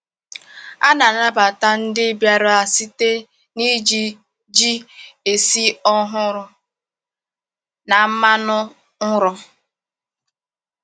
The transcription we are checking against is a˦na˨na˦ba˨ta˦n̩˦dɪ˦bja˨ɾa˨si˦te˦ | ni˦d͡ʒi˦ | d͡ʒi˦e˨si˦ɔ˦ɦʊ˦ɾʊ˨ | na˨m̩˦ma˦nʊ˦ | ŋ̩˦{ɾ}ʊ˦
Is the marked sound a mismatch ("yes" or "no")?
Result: no